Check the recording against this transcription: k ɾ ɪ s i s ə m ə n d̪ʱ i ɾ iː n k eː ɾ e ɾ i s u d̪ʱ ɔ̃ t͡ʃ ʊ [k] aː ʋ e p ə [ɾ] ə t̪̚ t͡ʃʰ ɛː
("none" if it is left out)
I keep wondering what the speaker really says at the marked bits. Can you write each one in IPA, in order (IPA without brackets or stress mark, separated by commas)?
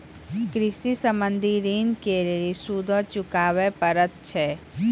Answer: k, ɾ